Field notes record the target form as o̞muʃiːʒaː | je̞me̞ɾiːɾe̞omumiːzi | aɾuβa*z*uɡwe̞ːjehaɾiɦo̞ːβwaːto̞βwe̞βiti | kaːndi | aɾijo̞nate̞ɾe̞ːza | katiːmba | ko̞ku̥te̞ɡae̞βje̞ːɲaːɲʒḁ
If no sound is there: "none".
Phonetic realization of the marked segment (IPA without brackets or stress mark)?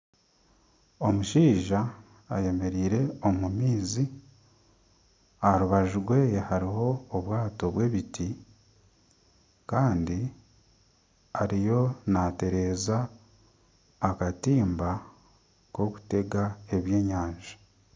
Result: ʒ